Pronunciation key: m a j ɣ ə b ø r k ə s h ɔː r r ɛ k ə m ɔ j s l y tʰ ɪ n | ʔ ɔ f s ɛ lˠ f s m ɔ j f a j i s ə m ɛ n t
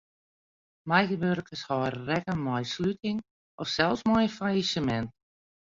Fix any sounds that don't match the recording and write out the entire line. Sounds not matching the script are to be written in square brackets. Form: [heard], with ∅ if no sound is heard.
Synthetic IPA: m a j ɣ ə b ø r k ə s h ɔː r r ɛ k ə m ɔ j s l y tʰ ɪ [ŋ] | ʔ ɔ f s ɛ lˠ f s m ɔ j f a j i s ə m ɛ n t

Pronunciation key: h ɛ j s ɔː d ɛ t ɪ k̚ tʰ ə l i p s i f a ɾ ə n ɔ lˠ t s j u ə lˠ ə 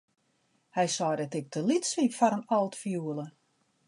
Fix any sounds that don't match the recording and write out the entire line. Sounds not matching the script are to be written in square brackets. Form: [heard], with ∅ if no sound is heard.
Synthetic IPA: h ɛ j s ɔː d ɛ t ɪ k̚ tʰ ə l i [t] s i f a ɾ ə n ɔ lˠ t [f] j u ə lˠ ə

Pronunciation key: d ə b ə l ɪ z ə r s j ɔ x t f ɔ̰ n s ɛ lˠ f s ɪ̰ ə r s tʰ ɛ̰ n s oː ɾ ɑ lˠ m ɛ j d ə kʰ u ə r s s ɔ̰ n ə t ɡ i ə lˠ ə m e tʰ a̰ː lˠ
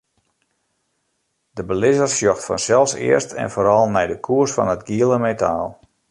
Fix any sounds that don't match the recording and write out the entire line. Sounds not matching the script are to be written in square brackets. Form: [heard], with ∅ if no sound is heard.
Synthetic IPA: d ə b ə l ɪ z ə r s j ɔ x t f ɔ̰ n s ɛ lˠ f s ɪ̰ ə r s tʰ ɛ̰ n [f] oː ɾ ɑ lˠ [n] ɛ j d ə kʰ u ə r s [f] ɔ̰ n ə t ɡ i ə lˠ ə m e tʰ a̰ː lˠ

